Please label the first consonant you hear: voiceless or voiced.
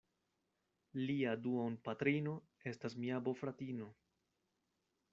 voiced